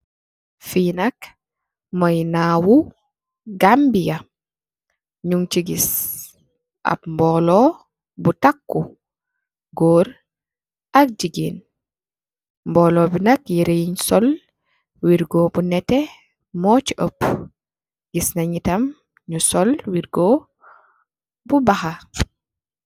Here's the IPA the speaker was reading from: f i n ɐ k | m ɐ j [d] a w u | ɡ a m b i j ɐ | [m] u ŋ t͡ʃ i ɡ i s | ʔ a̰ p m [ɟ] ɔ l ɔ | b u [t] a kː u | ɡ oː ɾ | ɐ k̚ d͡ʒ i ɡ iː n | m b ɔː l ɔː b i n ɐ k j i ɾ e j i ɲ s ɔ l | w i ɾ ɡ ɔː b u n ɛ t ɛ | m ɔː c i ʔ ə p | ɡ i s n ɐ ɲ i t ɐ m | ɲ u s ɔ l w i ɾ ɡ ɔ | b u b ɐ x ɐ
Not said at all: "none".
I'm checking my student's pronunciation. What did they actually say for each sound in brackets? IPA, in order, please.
n, ɲ, b, t

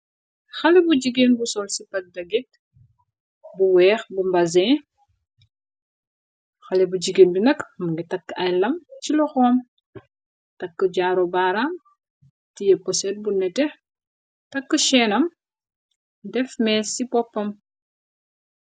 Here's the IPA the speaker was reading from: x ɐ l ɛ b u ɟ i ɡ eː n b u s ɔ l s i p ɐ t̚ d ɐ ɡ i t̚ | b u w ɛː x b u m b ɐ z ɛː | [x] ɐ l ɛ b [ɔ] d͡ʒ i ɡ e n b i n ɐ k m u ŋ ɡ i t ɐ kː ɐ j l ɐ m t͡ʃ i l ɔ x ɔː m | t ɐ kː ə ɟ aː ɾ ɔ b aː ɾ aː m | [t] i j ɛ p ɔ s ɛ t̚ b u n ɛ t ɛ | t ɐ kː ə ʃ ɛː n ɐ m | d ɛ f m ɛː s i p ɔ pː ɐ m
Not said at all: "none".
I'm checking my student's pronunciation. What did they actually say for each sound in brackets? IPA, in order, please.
x, u, t

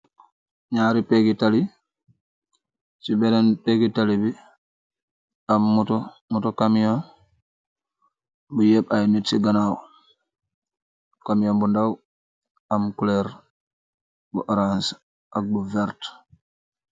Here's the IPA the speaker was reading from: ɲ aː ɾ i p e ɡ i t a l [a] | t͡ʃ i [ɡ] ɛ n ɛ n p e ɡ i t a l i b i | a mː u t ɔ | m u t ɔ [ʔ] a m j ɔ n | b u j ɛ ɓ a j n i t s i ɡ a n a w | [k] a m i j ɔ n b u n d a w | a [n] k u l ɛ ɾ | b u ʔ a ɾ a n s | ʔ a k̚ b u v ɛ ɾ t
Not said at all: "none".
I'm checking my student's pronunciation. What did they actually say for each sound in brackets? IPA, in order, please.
i, b, k, k, m

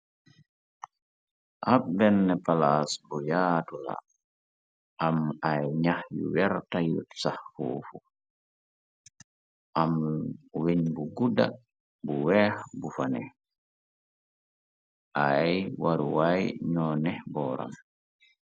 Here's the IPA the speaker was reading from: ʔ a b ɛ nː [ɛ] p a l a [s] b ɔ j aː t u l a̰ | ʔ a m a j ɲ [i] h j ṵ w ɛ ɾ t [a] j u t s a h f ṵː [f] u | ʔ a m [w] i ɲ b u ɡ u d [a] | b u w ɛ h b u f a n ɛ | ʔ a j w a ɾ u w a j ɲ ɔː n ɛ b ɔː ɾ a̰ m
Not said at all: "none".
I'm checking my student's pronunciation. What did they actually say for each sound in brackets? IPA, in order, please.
ɛ, s, a, a, f, w, a

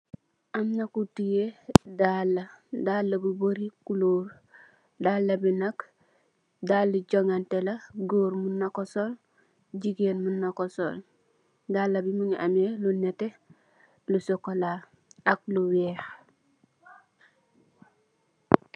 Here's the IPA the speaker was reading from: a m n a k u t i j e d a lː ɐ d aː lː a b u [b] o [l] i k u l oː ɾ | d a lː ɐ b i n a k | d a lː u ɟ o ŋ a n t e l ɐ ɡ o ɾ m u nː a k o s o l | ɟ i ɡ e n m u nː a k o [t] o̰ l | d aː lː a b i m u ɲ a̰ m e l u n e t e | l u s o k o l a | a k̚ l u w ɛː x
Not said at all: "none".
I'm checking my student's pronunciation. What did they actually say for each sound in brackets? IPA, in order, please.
b, ɾ, s

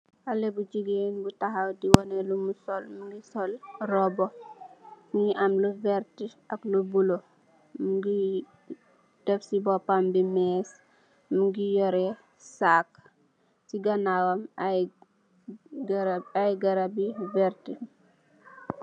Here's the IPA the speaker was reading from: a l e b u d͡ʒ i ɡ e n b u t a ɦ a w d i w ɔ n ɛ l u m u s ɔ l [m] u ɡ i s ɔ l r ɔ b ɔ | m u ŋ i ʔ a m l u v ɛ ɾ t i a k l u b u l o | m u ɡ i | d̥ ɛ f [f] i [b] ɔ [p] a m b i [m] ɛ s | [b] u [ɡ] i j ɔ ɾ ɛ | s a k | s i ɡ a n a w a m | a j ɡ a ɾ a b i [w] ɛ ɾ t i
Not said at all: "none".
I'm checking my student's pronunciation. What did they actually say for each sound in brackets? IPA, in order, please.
m, s, b, p, m, m, ɡ, v

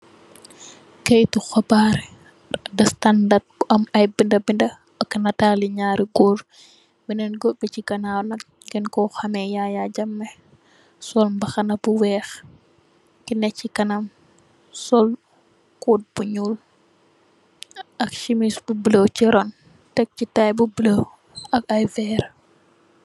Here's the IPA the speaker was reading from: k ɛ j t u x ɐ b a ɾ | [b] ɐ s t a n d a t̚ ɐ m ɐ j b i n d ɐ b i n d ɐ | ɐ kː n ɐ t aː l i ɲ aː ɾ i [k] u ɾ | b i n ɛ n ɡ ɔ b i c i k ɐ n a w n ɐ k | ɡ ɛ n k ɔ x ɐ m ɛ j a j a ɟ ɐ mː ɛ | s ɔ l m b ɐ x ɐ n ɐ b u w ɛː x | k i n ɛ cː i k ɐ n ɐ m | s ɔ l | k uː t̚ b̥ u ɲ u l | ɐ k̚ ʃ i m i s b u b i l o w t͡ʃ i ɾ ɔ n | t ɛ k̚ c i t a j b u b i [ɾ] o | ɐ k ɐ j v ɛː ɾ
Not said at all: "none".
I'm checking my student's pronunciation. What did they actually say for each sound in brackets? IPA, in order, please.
d, ɡ, l

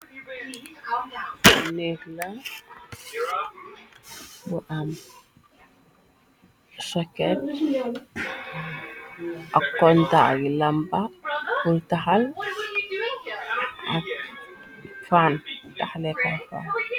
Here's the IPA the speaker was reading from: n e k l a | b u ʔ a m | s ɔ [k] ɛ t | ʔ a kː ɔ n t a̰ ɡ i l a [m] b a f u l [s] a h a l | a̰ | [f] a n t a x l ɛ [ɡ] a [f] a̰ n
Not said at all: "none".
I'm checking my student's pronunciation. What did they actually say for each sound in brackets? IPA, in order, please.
k, m, t, f, k, f

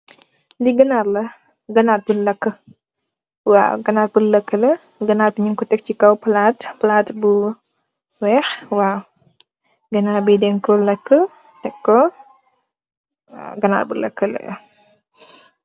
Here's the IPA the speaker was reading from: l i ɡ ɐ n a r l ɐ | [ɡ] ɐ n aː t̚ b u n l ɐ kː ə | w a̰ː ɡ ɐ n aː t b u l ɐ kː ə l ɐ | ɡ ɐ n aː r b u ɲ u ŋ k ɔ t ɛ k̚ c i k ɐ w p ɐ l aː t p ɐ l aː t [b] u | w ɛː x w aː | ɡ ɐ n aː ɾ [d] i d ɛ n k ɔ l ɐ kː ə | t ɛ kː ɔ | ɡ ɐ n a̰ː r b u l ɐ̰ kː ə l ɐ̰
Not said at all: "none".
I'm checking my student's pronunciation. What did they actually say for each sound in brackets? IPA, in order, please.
ɡ, b, b

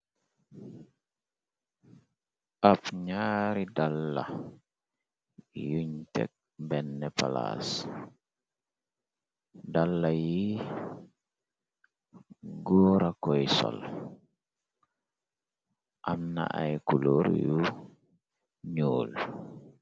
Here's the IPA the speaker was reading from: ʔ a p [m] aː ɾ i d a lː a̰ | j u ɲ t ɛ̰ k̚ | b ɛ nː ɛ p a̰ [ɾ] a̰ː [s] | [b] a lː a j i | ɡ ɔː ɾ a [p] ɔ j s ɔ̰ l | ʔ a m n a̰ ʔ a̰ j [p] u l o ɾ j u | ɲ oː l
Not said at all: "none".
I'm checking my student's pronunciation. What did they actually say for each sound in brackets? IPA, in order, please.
ɲ, l, s, d, k, k

